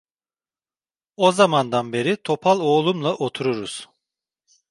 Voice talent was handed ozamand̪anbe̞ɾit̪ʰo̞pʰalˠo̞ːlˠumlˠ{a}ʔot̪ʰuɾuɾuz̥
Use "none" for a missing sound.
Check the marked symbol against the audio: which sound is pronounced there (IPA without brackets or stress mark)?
a